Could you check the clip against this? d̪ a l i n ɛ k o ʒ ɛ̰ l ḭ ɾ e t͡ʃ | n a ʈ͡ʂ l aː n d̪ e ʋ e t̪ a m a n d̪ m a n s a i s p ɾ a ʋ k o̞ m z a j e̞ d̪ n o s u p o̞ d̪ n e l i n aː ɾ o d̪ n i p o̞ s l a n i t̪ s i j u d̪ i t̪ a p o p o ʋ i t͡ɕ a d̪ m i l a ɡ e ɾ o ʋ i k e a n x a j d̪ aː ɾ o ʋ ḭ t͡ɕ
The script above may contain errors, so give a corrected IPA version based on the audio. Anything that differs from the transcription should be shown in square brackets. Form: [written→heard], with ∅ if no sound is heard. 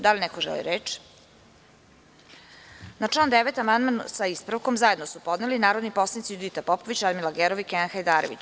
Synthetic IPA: d̪ a l i n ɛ k o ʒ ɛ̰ l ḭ ɾ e t͡ʃ | n a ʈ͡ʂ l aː n d̪ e ʋ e t̪ a m a n d̪ m a n s a i s p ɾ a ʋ k o̞ m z a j e̞ d̪ n o s u p o̞ d̪ n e l i n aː ɾ o d̪ n i p o̞ s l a n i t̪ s i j u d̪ i t̪ a p o p o ʋ i t͡ɕ a d̪ m i l a ɡ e ɾ o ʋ i k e a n x a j d̪ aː ɾ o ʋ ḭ t͡ɕ